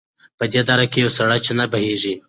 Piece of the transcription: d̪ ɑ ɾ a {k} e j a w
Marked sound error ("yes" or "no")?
no